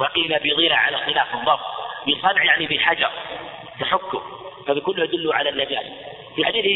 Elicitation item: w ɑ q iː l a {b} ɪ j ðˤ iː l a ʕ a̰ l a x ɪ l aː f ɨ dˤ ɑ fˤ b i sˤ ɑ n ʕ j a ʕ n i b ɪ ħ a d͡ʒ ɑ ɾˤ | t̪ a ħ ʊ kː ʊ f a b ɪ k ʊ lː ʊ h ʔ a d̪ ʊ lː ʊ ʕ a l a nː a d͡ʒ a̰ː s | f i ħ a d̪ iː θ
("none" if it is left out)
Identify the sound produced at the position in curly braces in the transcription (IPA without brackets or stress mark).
b